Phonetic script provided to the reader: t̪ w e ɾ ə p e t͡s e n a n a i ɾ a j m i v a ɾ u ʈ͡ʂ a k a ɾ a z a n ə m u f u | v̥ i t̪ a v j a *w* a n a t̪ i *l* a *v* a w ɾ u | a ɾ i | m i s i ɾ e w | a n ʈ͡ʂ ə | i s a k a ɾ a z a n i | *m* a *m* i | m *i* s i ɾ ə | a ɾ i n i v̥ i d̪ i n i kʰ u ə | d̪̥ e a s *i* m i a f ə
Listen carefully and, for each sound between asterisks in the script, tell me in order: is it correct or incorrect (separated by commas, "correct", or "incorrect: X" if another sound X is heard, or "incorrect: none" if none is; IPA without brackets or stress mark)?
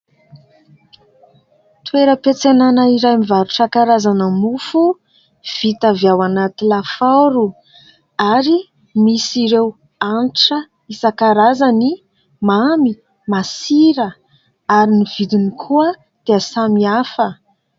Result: correct, correct, incorrect: f, correct, correct, incorrect: a, incorrect: a